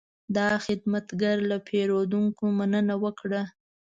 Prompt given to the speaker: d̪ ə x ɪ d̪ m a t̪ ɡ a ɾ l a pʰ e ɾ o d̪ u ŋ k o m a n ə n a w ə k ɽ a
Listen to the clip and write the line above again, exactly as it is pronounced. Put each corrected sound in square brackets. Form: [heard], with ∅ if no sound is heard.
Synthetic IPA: d̪ [ɑ] x ɪ d̪ m a t̪ ɡ a ɾ l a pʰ e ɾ o d̪ u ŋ k o m a n ə n a w ə k ɽ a